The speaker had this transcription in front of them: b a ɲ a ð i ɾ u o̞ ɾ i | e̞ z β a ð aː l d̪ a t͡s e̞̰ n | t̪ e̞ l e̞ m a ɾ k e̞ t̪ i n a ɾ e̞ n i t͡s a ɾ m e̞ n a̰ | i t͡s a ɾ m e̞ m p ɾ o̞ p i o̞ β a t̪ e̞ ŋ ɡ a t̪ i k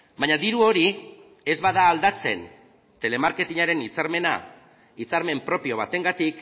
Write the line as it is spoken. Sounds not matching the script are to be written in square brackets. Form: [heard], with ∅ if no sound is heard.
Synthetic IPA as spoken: b a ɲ a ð i ɾ u o̞ ɾ i | e̞ z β a ð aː l d̪ a t͡s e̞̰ n | t̪ e̞ l e̞ m a ɾ k e̞ t̪ i [ɲ] a ɾ e̞ n i t͡s a ɾ m e̞ n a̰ | i t͡s a ɾ m e̞ m p ɾ o̞ p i o̞ β a t̪ e̞ ŋ ɡ a t̪ i k